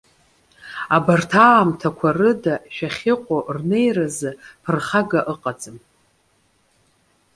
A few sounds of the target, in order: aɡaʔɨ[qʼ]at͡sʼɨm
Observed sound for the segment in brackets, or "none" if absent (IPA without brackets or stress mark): qʼ